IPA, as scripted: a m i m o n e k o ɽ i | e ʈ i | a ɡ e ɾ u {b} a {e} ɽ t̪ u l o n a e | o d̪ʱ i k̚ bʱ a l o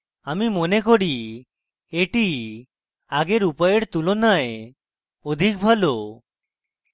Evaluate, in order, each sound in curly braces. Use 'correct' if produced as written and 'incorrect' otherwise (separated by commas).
incorrect, correct